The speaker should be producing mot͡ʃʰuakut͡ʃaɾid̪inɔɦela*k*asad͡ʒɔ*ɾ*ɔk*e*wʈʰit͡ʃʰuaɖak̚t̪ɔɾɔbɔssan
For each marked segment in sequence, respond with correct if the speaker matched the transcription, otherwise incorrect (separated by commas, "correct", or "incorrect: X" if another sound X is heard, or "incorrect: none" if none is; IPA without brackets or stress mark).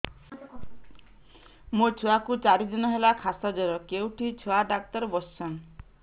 incorrect: kʰ, correct, correct